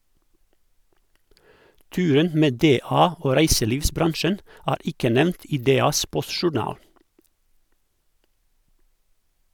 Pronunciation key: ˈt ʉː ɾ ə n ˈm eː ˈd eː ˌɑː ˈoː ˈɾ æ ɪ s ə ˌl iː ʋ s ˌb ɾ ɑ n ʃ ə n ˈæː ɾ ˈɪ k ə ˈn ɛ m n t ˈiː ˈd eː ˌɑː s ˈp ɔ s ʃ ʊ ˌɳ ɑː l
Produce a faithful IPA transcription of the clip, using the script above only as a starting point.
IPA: ˈt ʉː ɾ ə n ˈm eː ˈd eː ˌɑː ˈoː ˈɾ æ ɪ s ə ˌl iː ʋ s ˌb ɾ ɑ n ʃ ə n ˈæː ɾ ˈɪ k ə ˈn ɛ m n t ˈiː ˈd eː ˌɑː s ˈp ɔ s ʃ ʊ ˌɳ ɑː l